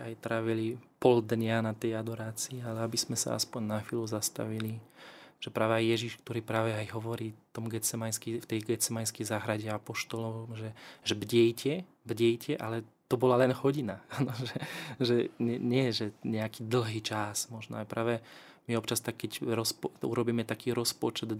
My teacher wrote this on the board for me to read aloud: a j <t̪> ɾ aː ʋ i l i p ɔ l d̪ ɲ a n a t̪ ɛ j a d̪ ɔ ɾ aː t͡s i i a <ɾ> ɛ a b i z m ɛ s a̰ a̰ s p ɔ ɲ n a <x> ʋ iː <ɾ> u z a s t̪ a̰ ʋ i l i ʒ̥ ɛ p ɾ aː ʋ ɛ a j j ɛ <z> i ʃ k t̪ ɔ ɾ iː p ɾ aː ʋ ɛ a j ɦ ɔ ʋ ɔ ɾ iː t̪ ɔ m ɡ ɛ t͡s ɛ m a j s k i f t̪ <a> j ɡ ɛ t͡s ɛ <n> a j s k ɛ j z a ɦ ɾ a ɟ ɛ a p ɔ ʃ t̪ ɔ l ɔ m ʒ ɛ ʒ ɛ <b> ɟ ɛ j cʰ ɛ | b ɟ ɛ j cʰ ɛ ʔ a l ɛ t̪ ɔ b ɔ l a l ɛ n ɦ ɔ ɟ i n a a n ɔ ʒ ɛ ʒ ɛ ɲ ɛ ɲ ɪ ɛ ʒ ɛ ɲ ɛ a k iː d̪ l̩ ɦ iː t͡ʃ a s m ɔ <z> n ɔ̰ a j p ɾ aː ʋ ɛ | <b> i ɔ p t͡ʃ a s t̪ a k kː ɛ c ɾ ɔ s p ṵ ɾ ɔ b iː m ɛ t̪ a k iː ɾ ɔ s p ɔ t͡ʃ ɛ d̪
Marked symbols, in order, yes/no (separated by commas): yes, no, yes, no, no, no, no, yes, no, no